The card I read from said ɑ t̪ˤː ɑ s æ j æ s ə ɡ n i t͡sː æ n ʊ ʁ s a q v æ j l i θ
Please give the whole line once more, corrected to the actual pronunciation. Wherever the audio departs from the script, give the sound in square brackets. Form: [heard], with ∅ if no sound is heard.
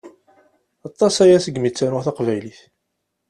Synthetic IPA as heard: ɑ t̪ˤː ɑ s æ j æ s ə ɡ [m] i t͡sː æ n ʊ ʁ [θ] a q v æ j l i θ